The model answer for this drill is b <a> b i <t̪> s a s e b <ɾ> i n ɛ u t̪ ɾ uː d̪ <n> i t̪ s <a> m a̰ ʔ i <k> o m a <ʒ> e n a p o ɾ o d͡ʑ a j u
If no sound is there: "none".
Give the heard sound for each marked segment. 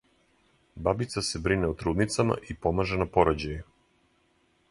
a, t̪, ɾ, n, a, p, ʒ

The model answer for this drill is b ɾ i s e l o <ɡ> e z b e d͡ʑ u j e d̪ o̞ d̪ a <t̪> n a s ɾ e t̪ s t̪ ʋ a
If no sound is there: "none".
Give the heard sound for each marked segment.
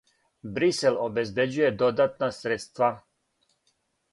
b, t̪

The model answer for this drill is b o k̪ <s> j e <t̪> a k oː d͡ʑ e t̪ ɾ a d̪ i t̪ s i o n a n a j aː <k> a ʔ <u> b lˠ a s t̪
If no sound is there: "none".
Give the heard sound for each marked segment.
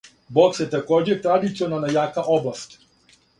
s, t̪, k, o

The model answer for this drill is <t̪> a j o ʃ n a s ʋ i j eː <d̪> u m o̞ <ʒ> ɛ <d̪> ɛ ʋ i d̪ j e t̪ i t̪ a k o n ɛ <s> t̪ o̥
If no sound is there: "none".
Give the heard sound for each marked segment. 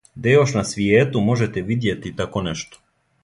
d̪, t̪, ʒ, t̪, ʃ

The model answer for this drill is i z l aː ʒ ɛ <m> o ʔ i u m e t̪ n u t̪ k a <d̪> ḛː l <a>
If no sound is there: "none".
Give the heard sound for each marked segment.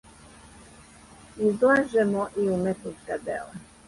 m, d̪, a

